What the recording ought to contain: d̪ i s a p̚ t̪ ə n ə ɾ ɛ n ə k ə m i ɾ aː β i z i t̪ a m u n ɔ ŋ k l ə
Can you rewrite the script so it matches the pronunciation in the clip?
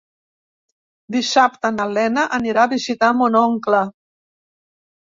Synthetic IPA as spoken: d̪ i s a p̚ t̪ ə n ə l ɛ n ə ʔ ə n i ɾ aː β i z i t̪ a m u n ɔ ŋ k l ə

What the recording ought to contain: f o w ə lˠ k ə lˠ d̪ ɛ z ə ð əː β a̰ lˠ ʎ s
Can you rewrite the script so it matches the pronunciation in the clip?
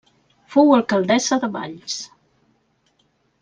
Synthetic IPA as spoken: f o w ə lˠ k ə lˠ d̪ ɛ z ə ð ə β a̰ ʎ s

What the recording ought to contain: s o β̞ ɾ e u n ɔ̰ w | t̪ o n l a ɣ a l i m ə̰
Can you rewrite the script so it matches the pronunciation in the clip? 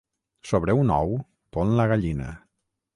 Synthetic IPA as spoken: s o β̞ ɾ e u n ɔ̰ w | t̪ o n l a ɣ a ʎ i n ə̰

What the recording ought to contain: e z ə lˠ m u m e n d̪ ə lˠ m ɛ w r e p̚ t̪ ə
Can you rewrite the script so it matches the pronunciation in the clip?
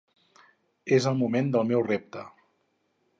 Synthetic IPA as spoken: e z ə lˠ m u m e n d̪ ə lˠ m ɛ w r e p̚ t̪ ə

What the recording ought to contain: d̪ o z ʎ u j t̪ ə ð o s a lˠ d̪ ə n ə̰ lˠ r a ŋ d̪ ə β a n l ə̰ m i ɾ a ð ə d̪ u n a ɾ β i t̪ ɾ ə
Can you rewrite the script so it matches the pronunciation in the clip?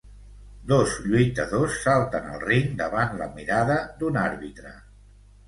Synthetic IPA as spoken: d̪ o z ʎ u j t̪ ə ð o sː a lˠ t̪ ə n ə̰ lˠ r i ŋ d̪ ə β a n l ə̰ m i ɾ a ð ə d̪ u n a ɾ β i t̪ ɾ ə

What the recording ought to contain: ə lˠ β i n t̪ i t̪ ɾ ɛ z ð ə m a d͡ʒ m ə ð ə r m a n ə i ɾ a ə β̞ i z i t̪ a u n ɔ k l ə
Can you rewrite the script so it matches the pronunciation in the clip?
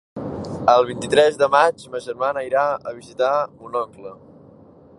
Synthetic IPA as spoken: ə lˠ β i n t̪ i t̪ ɾ ɛ z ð ə m a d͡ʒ m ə ʒ ə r m a n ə i ɾ a ə β̞ i z i t̪ a u n ɔ k l ə

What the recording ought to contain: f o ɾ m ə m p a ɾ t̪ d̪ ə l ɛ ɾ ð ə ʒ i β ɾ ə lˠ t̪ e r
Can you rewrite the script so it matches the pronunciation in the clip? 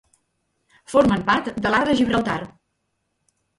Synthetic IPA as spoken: f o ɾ m ə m p a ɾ t̪ d̪ ə l a ɾ ð ə ʒ i β ɾ ə lˠ t̪ a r

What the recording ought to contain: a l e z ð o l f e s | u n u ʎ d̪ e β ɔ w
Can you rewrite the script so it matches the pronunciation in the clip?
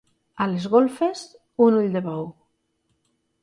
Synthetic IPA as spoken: a l e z ɣ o l f e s | u n u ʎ d̪ e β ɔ w

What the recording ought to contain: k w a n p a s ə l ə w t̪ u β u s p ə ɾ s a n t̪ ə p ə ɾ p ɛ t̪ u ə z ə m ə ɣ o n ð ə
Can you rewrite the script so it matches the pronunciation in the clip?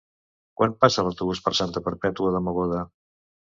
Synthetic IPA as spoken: k w a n p a s ə l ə w t̪ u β u s p ə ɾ s a n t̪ ə p ə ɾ p ɛ t̪ u ə ð ə m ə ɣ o ð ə

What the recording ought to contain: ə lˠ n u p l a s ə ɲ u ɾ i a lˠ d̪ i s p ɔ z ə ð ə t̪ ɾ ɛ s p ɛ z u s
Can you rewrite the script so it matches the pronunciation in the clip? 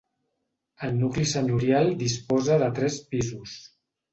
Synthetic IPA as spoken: ə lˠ n u k l i s ə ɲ u ɾ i a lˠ d̪ i s p ɔ z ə ð ə t̪ ɾ ɛ s p i z u s

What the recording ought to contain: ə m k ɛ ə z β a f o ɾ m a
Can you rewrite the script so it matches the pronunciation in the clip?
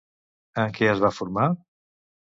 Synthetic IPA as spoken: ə ŋ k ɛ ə z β a f u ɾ m a

